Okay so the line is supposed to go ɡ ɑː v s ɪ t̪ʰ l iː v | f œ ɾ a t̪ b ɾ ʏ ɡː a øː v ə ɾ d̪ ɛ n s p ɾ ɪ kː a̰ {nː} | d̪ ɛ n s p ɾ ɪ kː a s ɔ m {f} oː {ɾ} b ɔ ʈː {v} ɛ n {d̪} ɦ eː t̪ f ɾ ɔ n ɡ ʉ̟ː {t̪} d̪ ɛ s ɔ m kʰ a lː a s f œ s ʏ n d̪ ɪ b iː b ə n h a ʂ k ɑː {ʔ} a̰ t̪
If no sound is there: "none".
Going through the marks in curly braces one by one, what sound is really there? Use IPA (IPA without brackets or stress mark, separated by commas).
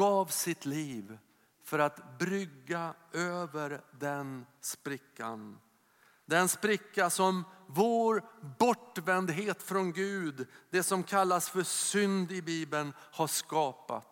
n, v, ɾ, v, d̪, d̪, p